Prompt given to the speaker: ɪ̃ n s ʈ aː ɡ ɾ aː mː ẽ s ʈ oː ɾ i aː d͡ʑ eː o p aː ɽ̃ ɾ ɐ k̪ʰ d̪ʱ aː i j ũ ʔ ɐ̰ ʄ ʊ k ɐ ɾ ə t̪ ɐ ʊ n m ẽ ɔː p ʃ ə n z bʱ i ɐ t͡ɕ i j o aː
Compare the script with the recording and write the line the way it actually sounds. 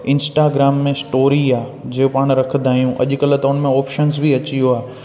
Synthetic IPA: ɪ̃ n s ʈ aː ɡ ɾ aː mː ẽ s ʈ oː ɾ i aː d͡ʑ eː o p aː ɽ̃ ɾ ɐ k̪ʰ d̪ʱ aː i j ũ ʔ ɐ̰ ʄ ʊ k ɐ l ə t̪ ɐ ʊ n m ẽ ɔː p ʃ ə n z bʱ i ɐ t͡ɕ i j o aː